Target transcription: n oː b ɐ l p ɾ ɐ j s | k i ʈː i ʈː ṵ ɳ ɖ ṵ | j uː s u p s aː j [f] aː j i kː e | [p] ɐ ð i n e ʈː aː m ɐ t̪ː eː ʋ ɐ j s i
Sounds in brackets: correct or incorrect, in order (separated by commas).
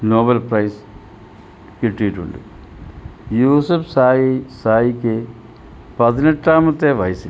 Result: incorrect, correct